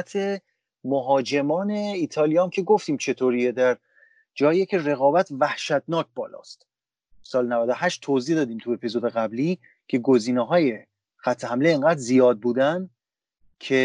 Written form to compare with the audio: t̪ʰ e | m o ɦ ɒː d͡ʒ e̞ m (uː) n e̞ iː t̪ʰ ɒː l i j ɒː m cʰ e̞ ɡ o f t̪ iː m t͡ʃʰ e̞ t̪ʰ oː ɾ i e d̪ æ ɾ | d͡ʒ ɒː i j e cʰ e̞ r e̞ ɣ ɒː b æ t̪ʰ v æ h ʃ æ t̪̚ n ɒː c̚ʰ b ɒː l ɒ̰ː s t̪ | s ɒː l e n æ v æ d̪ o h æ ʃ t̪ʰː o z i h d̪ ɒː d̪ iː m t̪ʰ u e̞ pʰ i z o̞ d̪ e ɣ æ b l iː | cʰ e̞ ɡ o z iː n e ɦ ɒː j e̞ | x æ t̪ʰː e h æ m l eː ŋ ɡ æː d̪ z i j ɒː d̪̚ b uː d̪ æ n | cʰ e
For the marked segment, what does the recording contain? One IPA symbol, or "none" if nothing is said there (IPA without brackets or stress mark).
ɒː